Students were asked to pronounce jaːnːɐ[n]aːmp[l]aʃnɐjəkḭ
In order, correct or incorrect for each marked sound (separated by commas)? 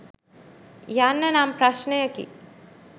correct, incorrect